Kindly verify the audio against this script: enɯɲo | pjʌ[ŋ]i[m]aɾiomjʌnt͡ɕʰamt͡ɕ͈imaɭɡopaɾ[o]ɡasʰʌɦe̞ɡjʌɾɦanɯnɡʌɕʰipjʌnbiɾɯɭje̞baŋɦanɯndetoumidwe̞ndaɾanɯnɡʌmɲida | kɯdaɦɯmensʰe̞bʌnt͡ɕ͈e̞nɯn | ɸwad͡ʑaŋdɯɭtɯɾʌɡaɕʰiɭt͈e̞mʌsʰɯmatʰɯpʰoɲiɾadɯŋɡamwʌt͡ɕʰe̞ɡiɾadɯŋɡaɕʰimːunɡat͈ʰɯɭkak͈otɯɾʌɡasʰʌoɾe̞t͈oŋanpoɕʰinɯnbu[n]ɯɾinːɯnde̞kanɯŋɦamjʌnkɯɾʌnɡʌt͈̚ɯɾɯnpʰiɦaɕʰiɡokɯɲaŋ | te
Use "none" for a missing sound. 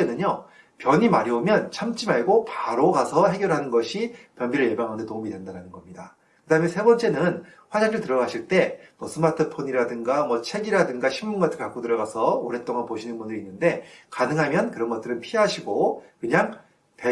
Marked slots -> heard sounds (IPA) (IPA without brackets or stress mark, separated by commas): ɲ, m, o, n